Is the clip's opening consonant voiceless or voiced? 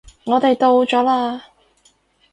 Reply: voiced